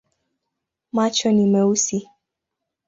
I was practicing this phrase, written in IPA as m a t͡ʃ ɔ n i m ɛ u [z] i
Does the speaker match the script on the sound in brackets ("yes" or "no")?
no